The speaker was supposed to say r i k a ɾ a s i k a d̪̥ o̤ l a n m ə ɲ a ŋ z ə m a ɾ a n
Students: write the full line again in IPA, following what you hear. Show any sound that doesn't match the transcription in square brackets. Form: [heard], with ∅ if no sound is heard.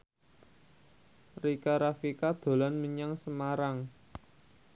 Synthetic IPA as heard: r i k a ɾ a [f] i k a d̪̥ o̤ l a n m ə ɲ a ŋ [s] ə m a ɾ a [ŋ]